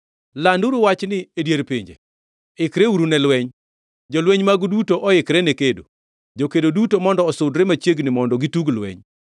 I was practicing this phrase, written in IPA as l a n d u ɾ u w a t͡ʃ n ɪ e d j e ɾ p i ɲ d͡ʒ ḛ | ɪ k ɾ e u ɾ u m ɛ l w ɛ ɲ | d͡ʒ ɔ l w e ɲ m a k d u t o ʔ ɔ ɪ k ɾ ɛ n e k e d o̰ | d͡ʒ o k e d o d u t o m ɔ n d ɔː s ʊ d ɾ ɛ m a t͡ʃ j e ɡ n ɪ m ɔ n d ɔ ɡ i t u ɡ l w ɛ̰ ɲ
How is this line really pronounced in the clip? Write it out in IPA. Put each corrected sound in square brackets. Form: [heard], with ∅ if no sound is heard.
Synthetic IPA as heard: l a n d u ɾ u w a t͡ʃ n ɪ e d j e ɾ p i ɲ d͡ʒ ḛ | ɪ k ɾ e u ɾ u [n] ɛ l w ɛ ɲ | d͡ʒ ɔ l w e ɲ m a [ɡ] d u t o ʔ ɔ ɪ k ɾ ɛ n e k e d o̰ | d͡ʒ o k e d o d u t o m ɔ n d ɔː s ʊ d ɾ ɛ m a t͡ʃ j e ɡ n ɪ m ɔ n d ɔ ɡ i t u ɡ l w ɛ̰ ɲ